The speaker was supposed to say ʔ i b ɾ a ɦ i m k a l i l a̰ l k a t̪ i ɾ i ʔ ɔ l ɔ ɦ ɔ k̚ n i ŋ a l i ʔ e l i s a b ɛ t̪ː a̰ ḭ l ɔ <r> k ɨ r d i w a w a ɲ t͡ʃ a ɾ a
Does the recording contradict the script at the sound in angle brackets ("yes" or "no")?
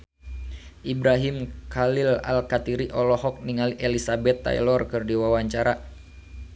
no